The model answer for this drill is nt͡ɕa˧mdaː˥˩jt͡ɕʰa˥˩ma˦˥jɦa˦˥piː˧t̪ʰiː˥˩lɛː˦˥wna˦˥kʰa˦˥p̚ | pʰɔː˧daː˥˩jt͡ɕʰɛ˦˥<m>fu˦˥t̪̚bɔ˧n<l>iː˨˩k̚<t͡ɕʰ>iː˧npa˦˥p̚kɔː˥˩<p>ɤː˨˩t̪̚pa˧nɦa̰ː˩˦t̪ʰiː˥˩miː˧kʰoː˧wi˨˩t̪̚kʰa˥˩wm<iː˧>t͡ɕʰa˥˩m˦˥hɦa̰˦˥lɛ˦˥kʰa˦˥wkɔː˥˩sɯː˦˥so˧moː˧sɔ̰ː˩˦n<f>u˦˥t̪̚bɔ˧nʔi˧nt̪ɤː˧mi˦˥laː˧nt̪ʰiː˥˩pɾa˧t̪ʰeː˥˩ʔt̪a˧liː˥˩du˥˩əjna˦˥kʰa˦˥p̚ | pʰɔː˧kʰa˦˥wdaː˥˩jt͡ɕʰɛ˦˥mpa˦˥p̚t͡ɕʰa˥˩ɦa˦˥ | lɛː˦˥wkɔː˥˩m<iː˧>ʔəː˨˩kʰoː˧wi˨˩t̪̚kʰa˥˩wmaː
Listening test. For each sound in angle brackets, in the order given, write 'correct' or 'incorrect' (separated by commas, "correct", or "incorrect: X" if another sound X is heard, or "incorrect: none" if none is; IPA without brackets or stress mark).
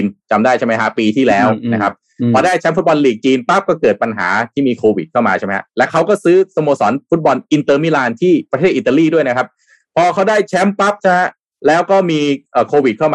correct, correct, incorrect: t͡ɕ, incorrect: k, incorrect: aː˧, correct, correct